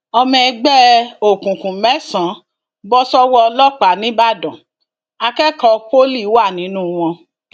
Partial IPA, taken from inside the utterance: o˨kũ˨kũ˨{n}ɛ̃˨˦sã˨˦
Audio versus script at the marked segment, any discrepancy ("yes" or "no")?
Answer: yes